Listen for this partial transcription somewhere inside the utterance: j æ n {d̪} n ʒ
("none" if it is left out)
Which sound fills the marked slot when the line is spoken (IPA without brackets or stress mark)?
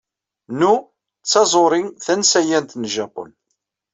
t̪